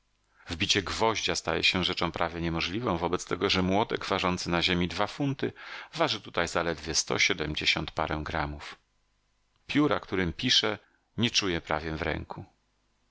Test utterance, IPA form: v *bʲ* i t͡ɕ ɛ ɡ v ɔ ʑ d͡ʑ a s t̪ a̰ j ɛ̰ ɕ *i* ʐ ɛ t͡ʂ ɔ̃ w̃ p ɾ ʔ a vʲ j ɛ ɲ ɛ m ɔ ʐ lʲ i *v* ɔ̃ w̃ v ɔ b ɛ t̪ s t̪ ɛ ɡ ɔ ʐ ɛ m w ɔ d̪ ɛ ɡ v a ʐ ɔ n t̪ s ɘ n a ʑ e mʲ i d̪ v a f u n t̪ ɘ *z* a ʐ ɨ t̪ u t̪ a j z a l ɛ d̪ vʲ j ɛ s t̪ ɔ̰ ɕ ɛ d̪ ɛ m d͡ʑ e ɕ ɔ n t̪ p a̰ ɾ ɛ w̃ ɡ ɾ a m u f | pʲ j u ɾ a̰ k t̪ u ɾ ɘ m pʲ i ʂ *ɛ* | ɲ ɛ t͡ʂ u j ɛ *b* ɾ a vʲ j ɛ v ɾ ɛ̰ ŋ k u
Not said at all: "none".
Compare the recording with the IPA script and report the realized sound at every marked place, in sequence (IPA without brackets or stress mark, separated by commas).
bʲ, ɛ, v, v, ɛ, p